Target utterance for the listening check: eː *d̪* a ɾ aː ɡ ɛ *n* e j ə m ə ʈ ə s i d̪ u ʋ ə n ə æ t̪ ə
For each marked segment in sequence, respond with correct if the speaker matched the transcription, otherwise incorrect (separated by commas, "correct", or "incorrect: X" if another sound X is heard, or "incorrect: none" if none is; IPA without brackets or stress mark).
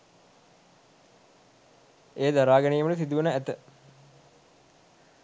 correct, correct